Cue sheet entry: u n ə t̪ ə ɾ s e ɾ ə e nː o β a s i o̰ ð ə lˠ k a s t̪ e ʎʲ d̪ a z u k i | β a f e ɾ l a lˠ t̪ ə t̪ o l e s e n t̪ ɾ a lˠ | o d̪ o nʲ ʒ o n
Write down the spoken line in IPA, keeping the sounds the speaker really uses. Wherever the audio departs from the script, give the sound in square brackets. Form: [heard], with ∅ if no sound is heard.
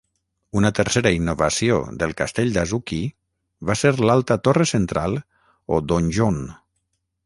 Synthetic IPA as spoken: u n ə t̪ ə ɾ s e ɾ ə [i] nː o β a s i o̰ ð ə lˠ k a s t̪ e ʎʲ d̪ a z u k i | β a [s] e ɾ l a lˠ t̪ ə t̪ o [r] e s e n t̪ ɾ a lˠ | o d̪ o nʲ ʒ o n